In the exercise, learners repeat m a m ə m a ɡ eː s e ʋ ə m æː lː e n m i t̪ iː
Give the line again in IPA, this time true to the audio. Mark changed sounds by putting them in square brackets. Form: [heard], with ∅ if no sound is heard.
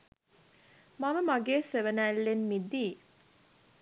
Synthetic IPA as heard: m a m ə m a ɡ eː s e ʋ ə [n] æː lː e n m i [d̪] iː